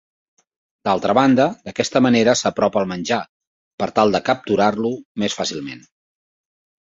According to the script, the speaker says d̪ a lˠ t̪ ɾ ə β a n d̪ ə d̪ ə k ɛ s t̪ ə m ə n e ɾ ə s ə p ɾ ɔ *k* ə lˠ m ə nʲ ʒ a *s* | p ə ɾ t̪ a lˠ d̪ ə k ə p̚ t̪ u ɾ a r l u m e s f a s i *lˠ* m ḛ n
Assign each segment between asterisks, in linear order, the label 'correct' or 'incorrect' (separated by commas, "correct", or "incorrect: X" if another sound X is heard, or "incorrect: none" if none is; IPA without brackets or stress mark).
incorrect: p, incorrect: none, correct